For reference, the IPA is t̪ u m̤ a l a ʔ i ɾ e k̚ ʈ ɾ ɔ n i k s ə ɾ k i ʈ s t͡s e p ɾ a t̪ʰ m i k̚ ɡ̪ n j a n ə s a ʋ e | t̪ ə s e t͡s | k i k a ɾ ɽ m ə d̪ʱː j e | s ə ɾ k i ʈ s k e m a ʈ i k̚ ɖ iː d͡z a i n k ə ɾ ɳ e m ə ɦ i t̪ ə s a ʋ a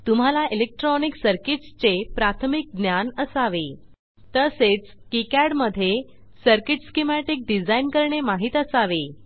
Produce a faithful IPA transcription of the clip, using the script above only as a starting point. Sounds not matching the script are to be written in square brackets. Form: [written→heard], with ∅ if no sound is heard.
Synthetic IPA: t̪ u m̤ a l a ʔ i [ɾ→l] e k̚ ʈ ɾ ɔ n i k s ə ɾ k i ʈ s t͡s e p ɾ a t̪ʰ m i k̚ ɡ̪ n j a n ə s a ʋ e | t̪ ə s e t͡s | k i k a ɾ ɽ m ə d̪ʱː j e | s ə ɾ k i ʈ s k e m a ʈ i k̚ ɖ [iː→i] d͡z a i n k ə ɾ ɳ e m [ə→a] ɦ i t̪ ə s a ʋ [a→e]

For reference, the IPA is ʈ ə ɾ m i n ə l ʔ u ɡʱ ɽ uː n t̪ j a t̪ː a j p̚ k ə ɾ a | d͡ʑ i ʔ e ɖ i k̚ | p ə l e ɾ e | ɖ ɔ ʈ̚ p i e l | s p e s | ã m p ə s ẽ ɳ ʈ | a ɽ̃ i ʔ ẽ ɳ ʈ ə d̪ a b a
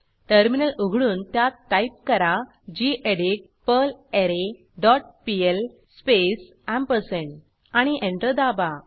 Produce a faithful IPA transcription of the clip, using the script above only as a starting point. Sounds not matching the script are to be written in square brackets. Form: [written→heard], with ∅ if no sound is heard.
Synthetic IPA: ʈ ə ɾ m i n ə l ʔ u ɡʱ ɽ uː n t̪ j a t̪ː a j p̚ k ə ɾ a | d͡ʑ i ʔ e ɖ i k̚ | p ə l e ɾ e | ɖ ɔ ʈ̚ p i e l | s p e s | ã m p ə s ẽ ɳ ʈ | a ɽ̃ i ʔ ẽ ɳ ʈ ə d̪ a b a

